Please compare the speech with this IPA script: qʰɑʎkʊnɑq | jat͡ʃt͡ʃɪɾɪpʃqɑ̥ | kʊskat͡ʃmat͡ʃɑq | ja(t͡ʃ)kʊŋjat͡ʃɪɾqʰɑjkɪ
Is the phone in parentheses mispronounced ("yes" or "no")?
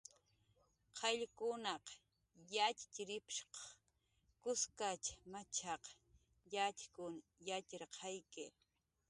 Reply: no